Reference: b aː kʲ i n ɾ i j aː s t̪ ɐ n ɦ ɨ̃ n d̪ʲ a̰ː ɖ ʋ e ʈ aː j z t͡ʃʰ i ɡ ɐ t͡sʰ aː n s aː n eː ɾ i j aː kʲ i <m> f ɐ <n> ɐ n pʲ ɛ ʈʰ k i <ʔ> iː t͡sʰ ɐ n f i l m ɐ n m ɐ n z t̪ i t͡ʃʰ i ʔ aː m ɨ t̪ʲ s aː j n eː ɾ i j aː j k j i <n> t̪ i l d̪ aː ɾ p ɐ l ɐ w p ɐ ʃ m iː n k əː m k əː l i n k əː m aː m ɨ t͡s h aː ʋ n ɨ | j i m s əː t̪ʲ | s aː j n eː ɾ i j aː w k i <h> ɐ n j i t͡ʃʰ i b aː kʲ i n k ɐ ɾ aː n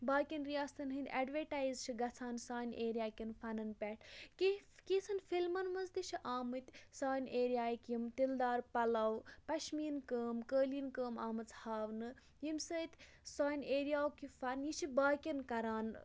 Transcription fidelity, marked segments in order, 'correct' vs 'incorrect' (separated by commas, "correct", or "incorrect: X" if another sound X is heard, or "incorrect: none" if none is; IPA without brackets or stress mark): incorrect: n, correct, incorrect: k, incorrect: m, incorrect: f